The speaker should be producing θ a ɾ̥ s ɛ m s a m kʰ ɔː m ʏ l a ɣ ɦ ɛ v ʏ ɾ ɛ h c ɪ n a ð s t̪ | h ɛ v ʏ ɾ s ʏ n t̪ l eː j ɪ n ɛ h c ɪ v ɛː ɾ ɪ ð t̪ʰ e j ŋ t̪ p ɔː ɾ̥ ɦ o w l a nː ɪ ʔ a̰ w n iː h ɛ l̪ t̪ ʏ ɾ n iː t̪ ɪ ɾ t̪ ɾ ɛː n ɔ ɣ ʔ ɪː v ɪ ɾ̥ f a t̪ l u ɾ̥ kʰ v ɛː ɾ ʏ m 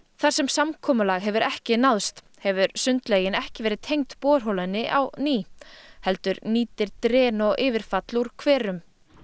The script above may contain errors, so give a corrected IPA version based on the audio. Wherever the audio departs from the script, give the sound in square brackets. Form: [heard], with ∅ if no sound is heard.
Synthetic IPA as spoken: θ a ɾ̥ s ɛ m s a m kʰ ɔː m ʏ l a ɣ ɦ ɛ v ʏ ɾ ɛ h c ɪ n a ð s t̪ | h ɛ v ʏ ɾ s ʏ n t̪ l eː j ɪ n ɛ h c ɪ v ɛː ɾ ɪ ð t̪ʰ e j ŋ t̪ p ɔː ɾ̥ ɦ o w l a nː ɪ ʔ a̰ w n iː h ɛ l̪ t̪ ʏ ɾ n iː t̪ ɪ ɾ t̪ ɾ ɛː n ɔ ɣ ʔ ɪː v ɪ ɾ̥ f a t̪ l u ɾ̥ kʰ v ɛː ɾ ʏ m